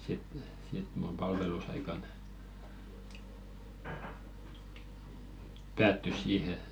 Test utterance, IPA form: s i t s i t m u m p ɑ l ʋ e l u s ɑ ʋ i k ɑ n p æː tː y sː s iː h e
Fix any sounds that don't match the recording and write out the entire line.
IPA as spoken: s i t s i t m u m p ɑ l ʋ e l u s ɑ i k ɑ n p æː tː y s s iː h e

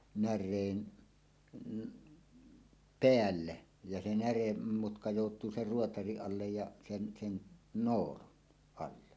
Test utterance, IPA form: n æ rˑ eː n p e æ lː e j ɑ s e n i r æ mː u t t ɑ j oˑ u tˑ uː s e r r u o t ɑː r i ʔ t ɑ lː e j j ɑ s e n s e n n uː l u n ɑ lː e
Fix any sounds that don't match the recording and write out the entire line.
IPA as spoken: n æ rˑ eː n p e æ lː e j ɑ s e n æ r e mː u t k ɑ j oˑ u tˑ uː s e r r u o t ɑ r i ʔ ʔ ɑ lː e j j ɑ s e n s e n n oː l u n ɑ lː e

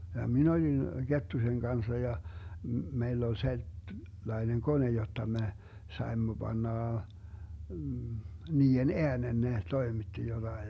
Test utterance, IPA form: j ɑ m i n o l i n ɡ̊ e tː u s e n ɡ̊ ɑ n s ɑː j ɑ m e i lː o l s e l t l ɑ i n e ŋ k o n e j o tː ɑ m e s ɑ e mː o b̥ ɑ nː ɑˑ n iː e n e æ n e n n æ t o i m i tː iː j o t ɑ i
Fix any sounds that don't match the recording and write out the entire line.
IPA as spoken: j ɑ m i n o l i n ɡ̊ e tː u s e n ɡ̊ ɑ n s ɑ j ɑ m e i lː o l s e l t l ɑ i n e ŋ k o n e j o tː ɑ m e s ɑ e mː o b̥ ɑ nː ɑˑ n iː e n e æ n e n n e t o i m i tː i j o t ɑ i

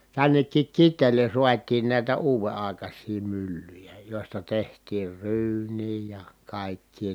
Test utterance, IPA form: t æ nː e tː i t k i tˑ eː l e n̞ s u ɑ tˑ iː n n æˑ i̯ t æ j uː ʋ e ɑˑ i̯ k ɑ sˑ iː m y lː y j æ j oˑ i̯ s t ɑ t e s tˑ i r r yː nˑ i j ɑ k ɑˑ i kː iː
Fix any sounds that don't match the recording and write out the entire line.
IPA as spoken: t æ nː e kː i k k i tˑ eː l e n̞ s u ɑ tˑ iː n n æˑ i̯ t æ uː ʋ e ɑˑ i̯ k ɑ sˑ iː m y lː y j æ j oˑ i̯ s t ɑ t e h tˑ iː r r yː nˑ iː j ɑ k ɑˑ i kː iː

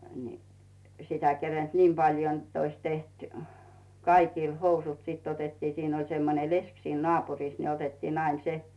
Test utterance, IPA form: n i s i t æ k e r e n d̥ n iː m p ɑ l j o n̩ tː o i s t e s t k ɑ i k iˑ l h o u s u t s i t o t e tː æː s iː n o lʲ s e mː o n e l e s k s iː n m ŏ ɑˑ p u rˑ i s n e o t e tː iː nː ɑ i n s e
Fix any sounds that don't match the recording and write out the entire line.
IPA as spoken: n i s i t æ k e r e n d̥ n iː m p ɑ l j o n̩ tː o i s t e h t k ɑ i k iˑ l h o u s u t s i t o t e tː iː s iː n o lʲ s e mː o n e l e s k s iː n n ŏ ɑˑ p u rˑ i s n e o t e tː iː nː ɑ i n s e

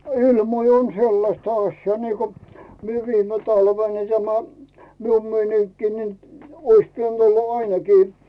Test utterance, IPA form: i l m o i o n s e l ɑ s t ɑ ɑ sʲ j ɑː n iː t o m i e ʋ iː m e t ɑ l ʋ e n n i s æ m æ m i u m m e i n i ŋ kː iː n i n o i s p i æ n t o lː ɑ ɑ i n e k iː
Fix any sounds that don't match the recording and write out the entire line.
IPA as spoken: i l m o i o n s e lː ɑ s t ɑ ɑ sʲ j ɑː n iː k o m i e ʋ iː m e t ɑ l ʋ e n n i t æ m æ m i u m m e i n i ŋ kː iː n i n o i s p i æ n t o lː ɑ ɑ i n e k iː

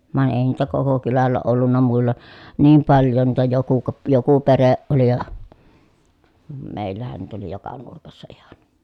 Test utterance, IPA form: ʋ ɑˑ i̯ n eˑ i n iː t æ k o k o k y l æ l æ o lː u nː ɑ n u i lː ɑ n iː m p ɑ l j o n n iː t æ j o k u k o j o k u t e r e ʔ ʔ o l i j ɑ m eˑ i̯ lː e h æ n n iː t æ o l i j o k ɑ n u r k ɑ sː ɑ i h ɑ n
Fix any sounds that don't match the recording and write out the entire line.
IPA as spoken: ʋ ɑˑ i̯ n eˑ i n iː t æ k o k o k y l æ lː æ o lː u nː ɑ m u i lː ɑ n iː m p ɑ l j o n n iː t æ j o k u k o j o k u p e r e ʔ ʔ o l i j ɑ m eˑ i̯ lː æ h æ n n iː t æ o l i j o k ɑ n u r k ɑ sː ɑ i h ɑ n

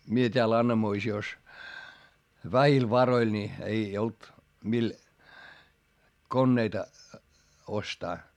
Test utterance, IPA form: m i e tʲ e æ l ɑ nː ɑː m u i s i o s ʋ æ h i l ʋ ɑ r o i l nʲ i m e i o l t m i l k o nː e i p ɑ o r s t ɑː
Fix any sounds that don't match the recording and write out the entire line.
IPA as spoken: m i e tʲ e æ l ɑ nː ɑ m o i s i o s ʋ æ h i l ʋ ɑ r o i l nʲ i e i o l t m i l k o nː e i t ɑ o s t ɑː

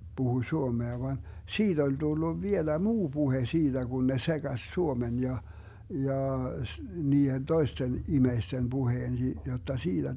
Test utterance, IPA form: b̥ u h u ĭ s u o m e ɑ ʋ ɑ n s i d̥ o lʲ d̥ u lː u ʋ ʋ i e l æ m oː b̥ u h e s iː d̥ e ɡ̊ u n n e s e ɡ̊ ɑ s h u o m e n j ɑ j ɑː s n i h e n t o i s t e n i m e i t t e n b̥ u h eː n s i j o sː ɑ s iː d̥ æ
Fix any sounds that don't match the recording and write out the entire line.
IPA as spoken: b̥ u h u ĭ s u o m e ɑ ʋ ɑ n s iː d̥ o lʲ d̥ u lː u ʋ ʋ i e l æ m uː b̥ u h e s iː d̥ æ ɡ̊ u n n e s e ɡ̊ ɑ s s u o m e n j ɑ j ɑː s n iː h e n t o i s t e n i m e i s t e n b̥ u h eː n s i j o tː ɑ s iː d̥ æ

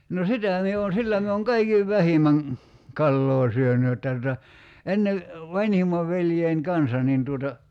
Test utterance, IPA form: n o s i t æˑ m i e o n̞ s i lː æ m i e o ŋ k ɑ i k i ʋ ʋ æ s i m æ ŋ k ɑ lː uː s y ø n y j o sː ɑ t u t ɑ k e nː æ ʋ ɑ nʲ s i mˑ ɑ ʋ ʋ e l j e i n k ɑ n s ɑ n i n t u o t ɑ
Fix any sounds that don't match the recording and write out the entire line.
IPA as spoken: n o s i t æˑ m i e o n̞ s i lː æ m i e o ŋ k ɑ i k i ʋ ʋ æ h i m æ ŋ k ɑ lː oː s y ø n y j o tː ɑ t u t ɑ e nː e ʋ ɑ nʲ h i mˑ ɑ ʋ ʋ e l j e i n k ɑ n s ɑ n i n t u o t ɑ

